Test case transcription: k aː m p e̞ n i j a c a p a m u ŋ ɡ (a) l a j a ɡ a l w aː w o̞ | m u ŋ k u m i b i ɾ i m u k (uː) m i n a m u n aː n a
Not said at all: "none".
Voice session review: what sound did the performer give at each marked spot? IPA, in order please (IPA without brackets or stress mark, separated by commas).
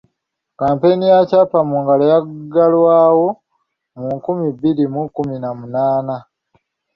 a, u